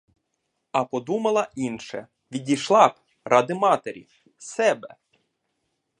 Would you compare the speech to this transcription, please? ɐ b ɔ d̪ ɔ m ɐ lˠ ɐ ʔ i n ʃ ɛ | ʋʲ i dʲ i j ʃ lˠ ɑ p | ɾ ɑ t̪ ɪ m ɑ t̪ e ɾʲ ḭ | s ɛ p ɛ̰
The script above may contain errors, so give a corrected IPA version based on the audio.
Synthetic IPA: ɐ p ɔ d̪ u m ɐ lˠ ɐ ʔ i n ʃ ɛ | ʋʲ i dʲ i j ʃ lˠ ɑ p | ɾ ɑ d̪ ɪ m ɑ t̪ e ɾʲ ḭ | s ɛ b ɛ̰